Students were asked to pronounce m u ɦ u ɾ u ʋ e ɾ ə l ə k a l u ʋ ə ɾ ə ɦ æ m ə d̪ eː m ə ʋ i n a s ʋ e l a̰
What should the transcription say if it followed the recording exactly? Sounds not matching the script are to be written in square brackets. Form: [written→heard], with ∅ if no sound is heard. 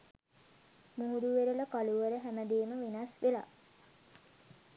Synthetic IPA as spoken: m u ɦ u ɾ u ʋ e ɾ ə l ə k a l u ʋ ə ɾ ə ɦ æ m ə d̪ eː m ə ʋ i n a s ʋ e l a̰